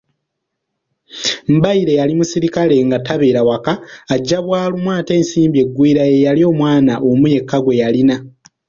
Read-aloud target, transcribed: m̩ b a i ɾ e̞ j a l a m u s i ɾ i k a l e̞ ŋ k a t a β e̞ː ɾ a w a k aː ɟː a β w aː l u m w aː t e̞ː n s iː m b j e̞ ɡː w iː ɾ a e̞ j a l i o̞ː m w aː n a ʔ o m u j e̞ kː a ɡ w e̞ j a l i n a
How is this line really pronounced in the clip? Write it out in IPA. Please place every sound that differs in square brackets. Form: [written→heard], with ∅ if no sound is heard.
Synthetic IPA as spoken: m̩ b a i ɾ e̞ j a l [a→i] m u s i ɾ i k a l e̞ ŋ [k→ɡ] a t a β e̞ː ɾ a w a k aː ɟː a β w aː l u m w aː t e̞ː n s iː m b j e̞ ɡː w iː ɾ a e̞ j a l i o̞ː m w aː n a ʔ o m u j e̞ kː a ɡ w e̞ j a l i n a